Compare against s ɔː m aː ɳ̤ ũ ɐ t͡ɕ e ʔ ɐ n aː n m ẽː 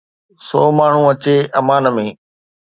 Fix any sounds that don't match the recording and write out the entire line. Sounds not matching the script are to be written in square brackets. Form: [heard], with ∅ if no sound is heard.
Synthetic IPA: s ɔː m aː ɳ̤ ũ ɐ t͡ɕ e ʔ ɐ [m] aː n m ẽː